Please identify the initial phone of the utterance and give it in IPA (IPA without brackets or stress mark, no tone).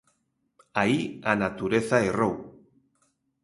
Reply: a